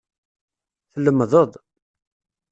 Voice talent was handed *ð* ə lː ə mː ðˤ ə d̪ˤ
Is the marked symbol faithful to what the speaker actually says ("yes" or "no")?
no